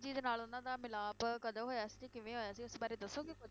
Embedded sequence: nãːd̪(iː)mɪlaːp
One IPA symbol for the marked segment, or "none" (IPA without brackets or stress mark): aː